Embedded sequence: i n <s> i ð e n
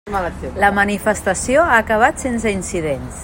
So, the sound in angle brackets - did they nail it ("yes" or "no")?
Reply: yes